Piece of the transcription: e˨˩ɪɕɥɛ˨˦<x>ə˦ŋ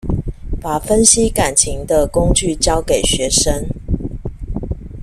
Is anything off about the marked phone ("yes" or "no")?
yes